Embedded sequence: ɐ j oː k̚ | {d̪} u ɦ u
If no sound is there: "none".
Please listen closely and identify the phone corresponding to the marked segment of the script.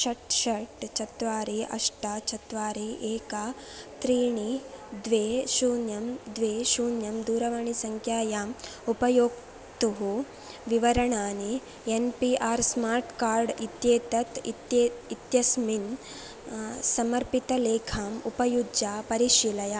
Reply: t̪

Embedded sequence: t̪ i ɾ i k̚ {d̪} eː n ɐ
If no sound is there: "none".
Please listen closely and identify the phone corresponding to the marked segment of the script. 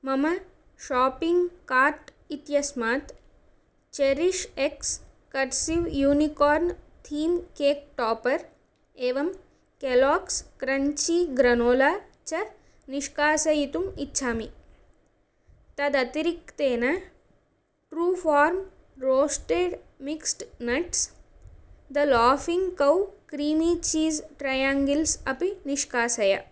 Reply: t̪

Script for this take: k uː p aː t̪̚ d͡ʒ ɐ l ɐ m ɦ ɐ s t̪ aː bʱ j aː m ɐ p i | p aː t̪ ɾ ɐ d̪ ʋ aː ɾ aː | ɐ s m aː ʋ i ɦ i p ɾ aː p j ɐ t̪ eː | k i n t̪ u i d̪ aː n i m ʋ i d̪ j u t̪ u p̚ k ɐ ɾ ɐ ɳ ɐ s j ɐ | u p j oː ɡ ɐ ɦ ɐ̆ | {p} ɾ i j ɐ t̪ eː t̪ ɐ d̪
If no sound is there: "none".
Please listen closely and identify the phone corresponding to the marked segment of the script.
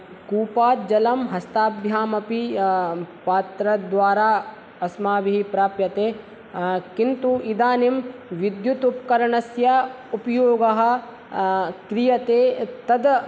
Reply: k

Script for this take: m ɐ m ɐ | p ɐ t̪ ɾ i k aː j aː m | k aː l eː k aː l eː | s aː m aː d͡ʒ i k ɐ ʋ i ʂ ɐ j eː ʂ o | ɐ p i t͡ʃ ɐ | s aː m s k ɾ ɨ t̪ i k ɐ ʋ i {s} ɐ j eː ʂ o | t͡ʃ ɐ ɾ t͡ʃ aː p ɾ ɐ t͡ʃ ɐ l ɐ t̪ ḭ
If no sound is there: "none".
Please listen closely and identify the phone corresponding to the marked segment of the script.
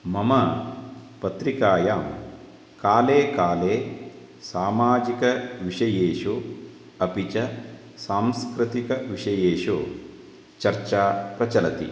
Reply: ʂ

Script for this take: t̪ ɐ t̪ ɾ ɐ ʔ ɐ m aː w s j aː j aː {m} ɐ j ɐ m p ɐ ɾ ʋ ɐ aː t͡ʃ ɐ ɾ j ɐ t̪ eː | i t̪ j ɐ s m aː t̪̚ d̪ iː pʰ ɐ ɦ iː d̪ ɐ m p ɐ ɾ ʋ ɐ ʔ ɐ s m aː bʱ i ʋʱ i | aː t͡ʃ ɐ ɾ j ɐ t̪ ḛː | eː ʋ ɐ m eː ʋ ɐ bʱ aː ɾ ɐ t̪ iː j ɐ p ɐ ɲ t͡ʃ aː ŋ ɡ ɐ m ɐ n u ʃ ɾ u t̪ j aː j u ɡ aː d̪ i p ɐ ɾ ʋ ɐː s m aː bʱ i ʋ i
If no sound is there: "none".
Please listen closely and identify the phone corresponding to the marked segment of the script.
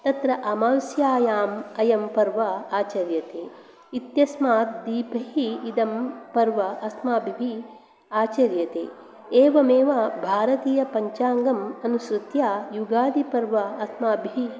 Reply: m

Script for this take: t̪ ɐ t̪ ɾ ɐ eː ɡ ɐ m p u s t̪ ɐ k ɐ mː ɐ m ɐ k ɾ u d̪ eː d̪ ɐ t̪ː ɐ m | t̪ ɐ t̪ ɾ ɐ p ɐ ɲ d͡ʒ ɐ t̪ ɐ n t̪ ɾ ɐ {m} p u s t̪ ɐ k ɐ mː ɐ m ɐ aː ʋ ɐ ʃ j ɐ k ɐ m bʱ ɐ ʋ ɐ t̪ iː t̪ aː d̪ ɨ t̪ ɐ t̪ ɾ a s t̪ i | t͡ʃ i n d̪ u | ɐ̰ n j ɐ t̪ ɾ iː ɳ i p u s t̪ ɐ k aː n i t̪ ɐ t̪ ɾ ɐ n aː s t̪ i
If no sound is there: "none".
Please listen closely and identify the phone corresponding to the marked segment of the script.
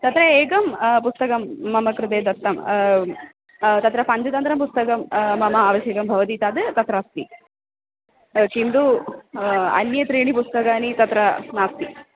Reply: m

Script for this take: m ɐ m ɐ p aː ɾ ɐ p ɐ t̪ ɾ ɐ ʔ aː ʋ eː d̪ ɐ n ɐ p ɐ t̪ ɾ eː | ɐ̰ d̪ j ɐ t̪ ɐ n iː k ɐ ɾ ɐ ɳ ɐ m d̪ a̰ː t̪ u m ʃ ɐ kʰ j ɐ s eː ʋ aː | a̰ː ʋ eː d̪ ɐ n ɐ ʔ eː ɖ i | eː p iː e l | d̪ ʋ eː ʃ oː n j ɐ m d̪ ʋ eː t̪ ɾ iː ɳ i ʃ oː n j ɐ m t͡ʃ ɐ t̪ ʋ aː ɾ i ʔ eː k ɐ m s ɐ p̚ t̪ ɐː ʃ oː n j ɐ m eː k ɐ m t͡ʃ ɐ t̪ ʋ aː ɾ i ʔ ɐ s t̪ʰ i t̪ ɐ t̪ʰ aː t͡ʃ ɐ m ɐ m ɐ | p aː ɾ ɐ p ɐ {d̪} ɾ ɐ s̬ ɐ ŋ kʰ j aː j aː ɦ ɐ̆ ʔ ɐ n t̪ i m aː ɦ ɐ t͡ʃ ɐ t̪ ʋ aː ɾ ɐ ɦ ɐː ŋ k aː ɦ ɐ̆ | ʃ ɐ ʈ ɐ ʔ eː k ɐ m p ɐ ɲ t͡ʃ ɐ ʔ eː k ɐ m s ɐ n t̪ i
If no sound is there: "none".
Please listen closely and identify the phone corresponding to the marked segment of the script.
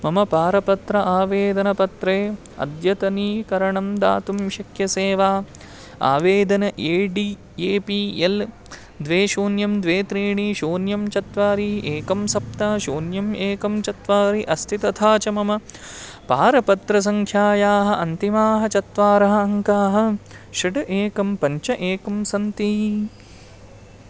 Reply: t̪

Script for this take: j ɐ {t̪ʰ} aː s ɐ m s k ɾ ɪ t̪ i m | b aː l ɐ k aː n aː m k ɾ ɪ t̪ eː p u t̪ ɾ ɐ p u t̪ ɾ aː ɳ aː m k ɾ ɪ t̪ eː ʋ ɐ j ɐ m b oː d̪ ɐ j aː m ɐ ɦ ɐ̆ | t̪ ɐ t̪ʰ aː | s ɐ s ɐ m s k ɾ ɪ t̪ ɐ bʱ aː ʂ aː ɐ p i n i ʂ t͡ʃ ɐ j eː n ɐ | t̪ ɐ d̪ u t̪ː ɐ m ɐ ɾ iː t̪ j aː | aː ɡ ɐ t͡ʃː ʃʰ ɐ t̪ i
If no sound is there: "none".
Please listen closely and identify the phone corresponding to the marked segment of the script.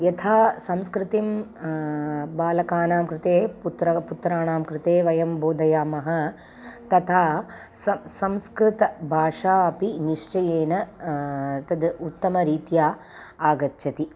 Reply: t̪ʰ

